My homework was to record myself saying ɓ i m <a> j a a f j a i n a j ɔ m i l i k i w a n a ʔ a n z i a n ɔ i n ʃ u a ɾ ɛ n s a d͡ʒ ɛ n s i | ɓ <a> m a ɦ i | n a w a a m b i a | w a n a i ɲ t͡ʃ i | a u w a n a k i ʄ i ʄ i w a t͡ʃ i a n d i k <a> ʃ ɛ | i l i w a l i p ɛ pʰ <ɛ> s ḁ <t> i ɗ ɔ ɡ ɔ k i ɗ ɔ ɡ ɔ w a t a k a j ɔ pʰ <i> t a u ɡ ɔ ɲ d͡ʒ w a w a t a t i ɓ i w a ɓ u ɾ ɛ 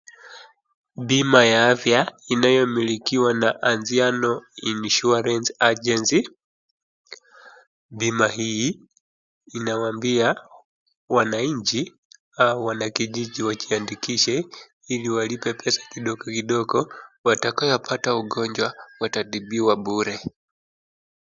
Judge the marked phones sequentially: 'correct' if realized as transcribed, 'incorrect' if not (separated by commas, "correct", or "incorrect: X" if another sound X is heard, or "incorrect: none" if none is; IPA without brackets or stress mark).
correct, incorrect: i, incorrect: i, correct, incorrect: k, incorrect: a